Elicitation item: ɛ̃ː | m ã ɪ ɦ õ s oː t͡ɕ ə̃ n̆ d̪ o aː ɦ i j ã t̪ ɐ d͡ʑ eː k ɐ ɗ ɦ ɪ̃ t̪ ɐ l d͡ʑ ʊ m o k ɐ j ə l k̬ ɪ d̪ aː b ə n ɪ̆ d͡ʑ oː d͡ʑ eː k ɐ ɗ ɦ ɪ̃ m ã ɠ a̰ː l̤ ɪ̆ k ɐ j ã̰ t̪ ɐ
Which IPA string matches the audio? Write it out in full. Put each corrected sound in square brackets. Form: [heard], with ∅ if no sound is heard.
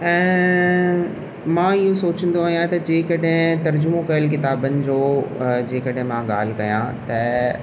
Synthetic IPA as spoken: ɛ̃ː | m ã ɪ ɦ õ s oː t͡ɕ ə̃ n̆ d̪ o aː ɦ i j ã t̪ ɐ d͡ʑ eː k ɐ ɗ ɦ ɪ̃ t̪ ɐ [ɾ] d͡ʑ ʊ m o k ɐ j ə l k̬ ɪ [t̪] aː b ə n ɪ̆ d͡ʑ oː d͡ʑ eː k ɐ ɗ ɦ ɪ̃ m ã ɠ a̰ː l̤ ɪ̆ k ɐ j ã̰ t̪ ɐ